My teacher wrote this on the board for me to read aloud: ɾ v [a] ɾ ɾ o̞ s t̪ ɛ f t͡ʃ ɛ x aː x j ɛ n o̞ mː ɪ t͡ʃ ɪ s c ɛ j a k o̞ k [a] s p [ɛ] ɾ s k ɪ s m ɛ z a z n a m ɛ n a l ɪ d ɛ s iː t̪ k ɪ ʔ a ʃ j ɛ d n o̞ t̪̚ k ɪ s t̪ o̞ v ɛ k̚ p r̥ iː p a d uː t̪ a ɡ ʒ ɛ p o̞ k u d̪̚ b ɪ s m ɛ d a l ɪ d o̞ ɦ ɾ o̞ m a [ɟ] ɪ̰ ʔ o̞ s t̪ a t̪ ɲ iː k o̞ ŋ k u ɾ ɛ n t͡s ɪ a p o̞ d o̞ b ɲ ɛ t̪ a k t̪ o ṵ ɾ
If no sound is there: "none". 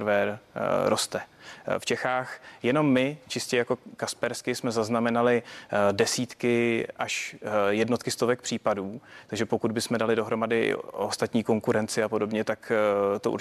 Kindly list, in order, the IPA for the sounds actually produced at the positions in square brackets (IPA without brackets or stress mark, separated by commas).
ɛ, a, ɛ, d